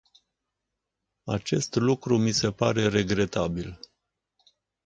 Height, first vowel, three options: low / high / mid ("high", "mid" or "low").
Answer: low